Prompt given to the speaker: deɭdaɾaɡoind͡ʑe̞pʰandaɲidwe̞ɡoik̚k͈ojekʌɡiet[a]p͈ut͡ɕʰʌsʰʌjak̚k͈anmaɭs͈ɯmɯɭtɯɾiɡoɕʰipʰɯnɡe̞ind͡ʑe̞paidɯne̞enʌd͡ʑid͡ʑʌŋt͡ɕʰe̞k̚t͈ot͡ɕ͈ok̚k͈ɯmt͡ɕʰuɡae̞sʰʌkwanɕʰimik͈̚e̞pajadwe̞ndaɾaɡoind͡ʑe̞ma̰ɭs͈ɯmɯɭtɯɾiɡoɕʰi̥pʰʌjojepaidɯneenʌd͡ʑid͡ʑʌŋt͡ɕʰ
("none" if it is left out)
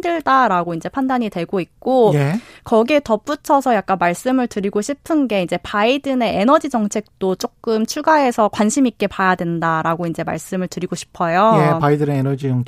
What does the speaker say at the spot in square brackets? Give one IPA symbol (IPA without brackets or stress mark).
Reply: ʌ